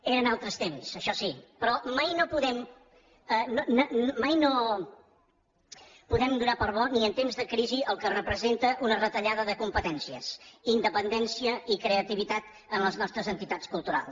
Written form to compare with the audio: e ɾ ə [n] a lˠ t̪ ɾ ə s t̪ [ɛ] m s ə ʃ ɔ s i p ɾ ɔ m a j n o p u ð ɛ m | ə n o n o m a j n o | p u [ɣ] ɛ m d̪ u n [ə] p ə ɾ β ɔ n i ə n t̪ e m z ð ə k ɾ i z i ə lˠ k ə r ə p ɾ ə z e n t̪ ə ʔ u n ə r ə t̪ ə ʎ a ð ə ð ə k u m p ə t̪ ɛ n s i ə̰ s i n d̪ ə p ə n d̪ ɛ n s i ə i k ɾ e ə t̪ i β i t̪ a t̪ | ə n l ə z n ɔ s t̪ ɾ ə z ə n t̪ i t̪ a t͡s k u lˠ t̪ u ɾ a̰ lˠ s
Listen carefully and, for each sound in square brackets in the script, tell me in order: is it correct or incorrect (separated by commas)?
correct, incorrect, incorrect, incorrect